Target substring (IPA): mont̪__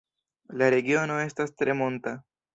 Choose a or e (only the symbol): a